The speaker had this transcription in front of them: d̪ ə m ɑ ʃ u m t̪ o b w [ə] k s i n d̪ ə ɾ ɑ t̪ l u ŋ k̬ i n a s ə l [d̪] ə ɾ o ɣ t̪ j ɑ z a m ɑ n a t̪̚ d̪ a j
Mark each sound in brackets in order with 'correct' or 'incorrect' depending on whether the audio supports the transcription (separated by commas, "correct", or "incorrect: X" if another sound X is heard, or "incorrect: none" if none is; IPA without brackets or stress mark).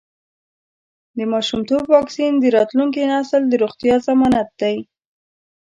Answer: incorrect: ɑ, correct